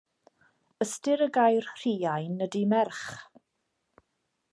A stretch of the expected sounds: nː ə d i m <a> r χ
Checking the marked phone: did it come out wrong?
yes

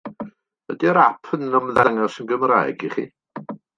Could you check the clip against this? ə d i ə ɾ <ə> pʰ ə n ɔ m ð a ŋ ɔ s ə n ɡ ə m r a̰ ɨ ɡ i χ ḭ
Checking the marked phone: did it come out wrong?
yes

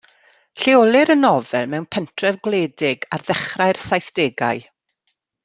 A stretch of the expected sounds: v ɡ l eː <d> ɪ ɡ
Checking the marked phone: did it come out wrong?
no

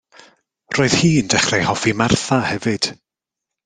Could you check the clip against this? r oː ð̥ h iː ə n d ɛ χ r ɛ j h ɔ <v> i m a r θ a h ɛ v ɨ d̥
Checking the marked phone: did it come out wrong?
yes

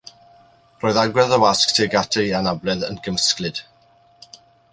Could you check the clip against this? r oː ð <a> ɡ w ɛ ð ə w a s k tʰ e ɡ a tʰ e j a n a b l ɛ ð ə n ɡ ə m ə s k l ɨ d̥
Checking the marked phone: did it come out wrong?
no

